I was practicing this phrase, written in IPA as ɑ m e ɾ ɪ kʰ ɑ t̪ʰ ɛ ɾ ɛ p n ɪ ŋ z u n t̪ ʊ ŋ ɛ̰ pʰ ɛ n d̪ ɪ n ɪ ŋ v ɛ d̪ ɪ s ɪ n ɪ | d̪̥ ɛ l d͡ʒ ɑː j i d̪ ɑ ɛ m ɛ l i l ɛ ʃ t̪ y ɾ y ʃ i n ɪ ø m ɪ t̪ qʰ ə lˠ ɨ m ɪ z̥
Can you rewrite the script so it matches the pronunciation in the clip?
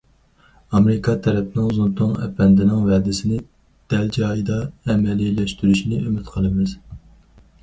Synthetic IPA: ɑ m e ɾ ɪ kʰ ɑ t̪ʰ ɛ ɾ ɛ p n ɪ ŋ z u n t̪ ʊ ŋ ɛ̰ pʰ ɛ n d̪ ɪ n ɪ ŋ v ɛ d̪ ɪ s ɪ n ɪ | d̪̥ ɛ l d͡ʒ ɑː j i d̪ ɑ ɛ m ɛ l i l ɛ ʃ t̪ y ɾ y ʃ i n ɪ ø m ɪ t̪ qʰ ə lˠ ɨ m ɪ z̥